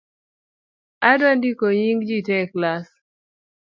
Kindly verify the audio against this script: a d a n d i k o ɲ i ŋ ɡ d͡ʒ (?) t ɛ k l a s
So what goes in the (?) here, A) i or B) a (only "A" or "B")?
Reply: A